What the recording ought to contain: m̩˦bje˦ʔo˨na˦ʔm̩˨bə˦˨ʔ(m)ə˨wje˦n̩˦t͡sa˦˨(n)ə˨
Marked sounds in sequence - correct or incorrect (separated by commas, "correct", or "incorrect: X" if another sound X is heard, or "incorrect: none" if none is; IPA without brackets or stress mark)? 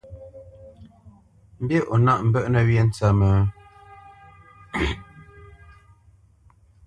incorrect: n, incorrect: m